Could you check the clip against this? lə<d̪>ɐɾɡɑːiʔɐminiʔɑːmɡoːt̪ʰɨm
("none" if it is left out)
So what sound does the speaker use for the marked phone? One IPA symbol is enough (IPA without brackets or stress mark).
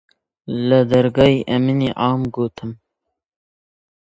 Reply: d̪